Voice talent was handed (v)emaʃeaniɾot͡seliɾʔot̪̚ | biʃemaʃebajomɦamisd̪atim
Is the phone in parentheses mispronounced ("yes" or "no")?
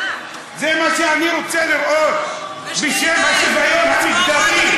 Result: yes